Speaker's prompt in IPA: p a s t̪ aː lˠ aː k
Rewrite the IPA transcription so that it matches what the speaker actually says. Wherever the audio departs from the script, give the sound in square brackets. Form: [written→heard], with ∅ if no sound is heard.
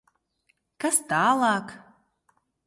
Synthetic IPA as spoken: [p→k] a s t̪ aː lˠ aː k